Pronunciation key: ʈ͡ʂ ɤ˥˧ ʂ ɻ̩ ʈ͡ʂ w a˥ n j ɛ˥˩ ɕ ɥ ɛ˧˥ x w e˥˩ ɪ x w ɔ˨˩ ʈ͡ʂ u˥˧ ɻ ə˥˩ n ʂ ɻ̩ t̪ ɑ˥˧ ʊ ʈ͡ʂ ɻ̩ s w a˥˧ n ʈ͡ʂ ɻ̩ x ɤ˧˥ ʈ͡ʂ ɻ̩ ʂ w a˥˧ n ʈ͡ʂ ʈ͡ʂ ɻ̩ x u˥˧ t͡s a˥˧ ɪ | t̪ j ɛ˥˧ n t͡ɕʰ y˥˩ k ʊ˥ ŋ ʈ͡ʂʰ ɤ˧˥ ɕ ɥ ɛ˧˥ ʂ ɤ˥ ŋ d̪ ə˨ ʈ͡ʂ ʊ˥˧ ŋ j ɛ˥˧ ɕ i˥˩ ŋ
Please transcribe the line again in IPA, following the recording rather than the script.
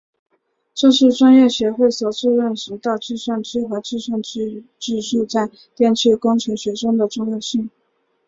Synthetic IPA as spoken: ʈ͡ʂ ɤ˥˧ ʂ ɻ̩ ʈ͡ʂ w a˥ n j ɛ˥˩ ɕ ɥ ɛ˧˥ x w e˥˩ ɪ s w ɔ˨˩ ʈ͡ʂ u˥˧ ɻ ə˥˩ n ʂ ɻ̩ t̪ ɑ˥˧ ʊ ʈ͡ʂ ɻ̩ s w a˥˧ n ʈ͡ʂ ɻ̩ x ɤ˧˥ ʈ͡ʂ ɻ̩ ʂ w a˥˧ n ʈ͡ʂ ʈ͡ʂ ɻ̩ ʂ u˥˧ t͡s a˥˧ ɪ | t̪ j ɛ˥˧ n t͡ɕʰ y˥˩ k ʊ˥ ŋ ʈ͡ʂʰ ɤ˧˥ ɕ ɥ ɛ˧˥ ʂ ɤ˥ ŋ d̪ ə˨ ʈ͡ʂ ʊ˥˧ ŋ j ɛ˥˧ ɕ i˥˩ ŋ

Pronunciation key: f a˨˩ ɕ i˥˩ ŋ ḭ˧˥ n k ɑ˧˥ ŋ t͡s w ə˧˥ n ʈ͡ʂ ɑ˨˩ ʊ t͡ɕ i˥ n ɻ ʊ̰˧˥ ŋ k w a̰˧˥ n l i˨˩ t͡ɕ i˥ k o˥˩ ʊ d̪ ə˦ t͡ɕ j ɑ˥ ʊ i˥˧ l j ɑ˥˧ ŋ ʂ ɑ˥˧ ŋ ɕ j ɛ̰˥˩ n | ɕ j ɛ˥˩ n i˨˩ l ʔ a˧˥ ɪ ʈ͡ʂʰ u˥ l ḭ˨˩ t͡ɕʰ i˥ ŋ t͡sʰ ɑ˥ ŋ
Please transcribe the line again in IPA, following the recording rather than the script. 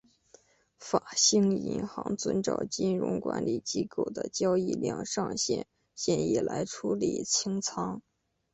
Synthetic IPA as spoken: f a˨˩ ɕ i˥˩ ŋ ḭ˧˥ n x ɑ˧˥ ŋ t͡s w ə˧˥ n ʈ͡ʂ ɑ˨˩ ʊ t͡ɕ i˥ n ɻ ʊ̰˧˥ ŋ k w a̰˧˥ n l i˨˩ t͡ɕ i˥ k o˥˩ ʊ d̪ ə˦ t͡ɕ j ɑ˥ ʊ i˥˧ l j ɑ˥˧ ŋ ʂ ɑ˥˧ ŋ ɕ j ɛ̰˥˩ n | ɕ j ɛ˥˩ n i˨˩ l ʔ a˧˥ ɪ ʈ͡ʂʰ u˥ l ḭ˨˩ t͡ɕʰ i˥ ŋ t͡sʰ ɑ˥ ŋ

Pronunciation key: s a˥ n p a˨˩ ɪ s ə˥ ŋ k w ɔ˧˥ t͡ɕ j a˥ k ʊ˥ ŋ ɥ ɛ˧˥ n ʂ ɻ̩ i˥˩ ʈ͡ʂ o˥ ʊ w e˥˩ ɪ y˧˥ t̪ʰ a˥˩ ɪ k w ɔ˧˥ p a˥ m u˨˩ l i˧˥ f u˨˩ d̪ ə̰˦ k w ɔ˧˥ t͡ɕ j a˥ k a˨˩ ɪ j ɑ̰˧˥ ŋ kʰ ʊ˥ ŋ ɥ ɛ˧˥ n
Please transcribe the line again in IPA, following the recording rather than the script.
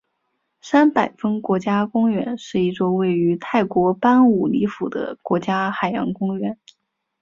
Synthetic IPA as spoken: s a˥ n p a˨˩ ɪ f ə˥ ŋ k w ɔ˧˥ t͡ɕ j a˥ k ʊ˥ ŋ ɥ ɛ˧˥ n ʂ ɻ̩ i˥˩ ʈ͡ʂ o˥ ʊ w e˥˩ ɪ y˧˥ t̪ʰ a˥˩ ɪ k w ɔ˧˥ p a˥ n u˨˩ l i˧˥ f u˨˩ d̪ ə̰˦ k w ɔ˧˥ t͡ɕ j a˥ x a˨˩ ɪ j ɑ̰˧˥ ŋ k ʊ˥ ŋ ɥ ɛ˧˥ n

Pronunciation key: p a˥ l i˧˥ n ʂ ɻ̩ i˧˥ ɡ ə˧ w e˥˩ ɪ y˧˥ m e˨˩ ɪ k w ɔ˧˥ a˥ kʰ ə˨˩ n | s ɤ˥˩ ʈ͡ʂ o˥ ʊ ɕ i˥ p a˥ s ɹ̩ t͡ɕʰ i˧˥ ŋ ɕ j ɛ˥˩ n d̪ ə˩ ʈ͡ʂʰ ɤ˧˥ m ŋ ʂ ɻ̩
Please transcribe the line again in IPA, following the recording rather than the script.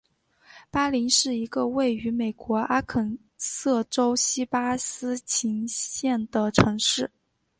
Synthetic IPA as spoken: p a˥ l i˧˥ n ʂ ɻ̩ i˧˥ ɡ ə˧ w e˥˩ ɪ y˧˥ m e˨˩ ɪ k w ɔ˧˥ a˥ kʰ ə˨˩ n | s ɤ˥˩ ʈ͡ʂ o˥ ʊ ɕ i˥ p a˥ s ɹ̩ t͡ɕʰ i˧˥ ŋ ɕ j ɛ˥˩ n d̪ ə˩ ʈ͡ʂʰ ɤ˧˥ ŋ ʂ ɻ̩

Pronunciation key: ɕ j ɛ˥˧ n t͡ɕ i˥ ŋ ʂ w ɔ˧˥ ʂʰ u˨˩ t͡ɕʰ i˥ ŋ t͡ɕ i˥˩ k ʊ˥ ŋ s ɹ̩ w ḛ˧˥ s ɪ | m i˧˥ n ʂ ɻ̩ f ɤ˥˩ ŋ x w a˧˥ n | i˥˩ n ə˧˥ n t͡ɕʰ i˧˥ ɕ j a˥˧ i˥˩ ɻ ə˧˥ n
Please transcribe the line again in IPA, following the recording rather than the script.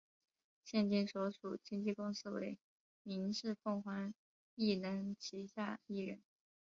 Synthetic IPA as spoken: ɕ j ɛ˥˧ n t͡ɕ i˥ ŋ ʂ w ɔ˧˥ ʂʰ u˨˩ t͡ɕ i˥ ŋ t͡ɕ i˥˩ k ʊ˥ ŋ s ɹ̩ w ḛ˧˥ ɪ | m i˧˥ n ʂ ɻ̩ f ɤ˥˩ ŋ x w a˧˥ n | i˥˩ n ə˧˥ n t͡ɕʰ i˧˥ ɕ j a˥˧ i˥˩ ɻ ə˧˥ n

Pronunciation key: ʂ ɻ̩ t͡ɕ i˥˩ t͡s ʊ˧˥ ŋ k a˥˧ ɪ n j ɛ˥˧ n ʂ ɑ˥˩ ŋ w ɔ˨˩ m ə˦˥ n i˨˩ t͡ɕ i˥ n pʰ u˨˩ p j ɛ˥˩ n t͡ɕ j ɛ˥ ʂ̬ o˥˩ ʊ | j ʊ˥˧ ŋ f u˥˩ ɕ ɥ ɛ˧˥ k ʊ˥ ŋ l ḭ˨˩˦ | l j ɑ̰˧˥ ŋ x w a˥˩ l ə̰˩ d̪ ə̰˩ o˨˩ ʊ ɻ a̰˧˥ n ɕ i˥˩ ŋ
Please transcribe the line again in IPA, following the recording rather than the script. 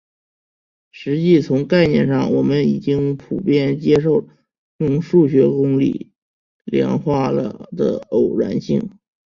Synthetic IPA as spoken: ʂ ɻ̩ t͡ɕ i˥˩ t͡sʰ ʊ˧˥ ŋ k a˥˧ ɪ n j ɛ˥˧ n ʂ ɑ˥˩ ŋ w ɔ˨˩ m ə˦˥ n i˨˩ t͡ɕ i˥ ŋ pʰ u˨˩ p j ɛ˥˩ n t͡ɕ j ɛ˥ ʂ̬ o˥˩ ʊ | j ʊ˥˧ ŋ ʂ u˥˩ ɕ ɥ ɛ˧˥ k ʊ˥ ŋ l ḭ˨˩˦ | l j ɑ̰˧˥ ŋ x w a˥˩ l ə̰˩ d̪ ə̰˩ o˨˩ ʊ ɻ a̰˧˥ n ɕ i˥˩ ŋ

